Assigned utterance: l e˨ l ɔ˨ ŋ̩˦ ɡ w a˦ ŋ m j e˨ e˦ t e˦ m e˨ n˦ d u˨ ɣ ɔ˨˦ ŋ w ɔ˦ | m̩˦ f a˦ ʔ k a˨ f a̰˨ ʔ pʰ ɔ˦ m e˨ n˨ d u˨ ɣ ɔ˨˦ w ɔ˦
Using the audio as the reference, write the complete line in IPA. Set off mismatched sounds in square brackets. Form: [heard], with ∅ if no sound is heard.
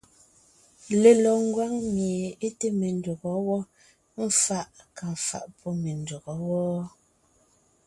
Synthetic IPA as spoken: l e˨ l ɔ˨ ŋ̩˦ ɡ w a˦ ŋ m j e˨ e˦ t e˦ m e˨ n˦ d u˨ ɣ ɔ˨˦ [∅] w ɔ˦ | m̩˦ f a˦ ʔ k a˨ f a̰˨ ʔ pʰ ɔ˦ m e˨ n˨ d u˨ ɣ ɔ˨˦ w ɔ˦